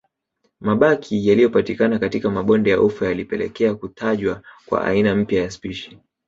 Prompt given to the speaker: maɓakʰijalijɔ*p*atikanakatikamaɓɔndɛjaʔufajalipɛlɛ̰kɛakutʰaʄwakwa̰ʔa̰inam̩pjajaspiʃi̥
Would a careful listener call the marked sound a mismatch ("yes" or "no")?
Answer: no